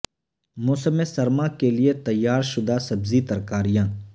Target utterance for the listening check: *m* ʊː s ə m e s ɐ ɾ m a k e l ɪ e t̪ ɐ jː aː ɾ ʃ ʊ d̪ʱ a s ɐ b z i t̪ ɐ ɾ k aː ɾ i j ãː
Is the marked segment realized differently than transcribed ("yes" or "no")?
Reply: no